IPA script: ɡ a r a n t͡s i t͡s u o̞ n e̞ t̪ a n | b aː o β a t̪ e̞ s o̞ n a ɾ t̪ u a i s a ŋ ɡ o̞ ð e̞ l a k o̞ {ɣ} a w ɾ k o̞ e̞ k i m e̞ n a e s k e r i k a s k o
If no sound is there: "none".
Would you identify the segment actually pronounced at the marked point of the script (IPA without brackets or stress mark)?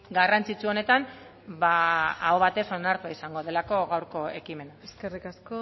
ɣ